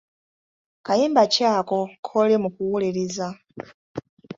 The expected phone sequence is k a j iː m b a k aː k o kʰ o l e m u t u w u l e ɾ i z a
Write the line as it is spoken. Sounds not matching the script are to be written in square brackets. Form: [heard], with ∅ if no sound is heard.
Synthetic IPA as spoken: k a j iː m b a [c] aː k o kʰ o l e m u [k] u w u l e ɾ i z a